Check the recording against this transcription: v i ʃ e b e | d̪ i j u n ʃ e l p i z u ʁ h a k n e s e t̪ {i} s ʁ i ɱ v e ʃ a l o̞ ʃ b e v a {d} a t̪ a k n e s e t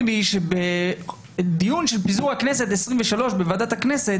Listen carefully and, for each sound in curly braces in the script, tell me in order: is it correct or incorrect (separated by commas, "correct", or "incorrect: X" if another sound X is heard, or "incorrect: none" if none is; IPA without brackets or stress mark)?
incorrect: e, correct